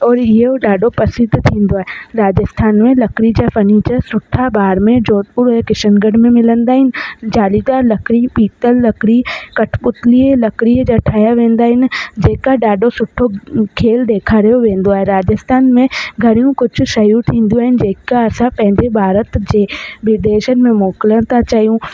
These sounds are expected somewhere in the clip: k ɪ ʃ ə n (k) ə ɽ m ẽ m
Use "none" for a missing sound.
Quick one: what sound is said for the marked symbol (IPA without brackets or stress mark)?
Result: ɡ